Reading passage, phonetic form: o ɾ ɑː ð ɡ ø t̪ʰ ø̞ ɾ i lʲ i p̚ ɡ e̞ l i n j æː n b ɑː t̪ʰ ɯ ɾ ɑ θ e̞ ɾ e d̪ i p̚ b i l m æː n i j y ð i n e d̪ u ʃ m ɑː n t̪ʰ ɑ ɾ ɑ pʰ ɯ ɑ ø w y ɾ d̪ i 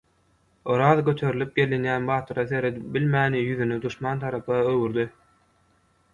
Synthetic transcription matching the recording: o ɾ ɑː ð ɡ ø t̪ʰ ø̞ ɾ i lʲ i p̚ ɡ e̞ l i n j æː n b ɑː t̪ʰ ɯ ɾ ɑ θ e̞ ɾ e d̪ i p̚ b i l m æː n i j y ð y n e d̪ u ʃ m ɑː n t̪ʰ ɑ ɾ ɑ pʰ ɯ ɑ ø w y ɾ d̪ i